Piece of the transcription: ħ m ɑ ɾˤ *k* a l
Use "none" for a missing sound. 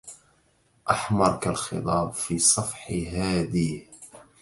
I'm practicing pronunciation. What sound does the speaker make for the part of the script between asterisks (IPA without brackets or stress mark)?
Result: k